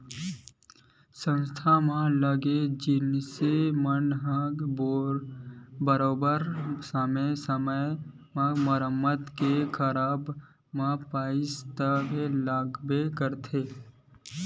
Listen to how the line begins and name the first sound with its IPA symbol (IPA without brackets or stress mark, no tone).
s